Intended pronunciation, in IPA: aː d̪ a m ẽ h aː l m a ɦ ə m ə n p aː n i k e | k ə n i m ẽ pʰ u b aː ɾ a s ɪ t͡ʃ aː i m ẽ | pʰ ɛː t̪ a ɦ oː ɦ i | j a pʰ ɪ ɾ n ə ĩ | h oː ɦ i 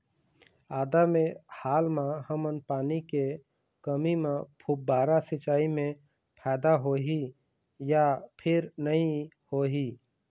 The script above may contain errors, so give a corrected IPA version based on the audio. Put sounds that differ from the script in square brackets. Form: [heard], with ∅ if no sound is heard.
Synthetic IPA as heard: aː d̪ a m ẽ h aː l m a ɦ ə m ə n p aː n i k e | k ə [m] i m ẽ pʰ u b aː ɾ a s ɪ t͡ʃ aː i m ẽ | pʰ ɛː [d̪] a ɦ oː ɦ i | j a pʰ ɪ ɾ n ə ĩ | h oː ɦ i